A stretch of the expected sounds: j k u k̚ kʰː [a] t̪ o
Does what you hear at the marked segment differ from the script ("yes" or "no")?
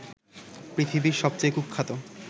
no